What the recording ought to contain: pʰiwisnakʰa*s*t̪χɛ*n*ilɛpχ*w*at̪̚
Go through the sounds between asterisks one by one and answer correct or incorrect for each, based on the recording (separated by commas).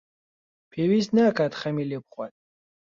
incorrect, incorrect, correct